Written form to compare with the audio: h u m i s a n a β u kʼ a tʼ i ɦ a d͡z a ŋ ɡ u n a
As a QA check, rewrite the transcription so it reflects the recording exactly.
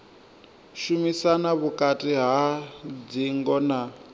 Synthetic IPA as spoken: ʃ u m i s a n a β u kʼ a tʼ i ɦ a d͡z i ŋ ɡ ɔ n a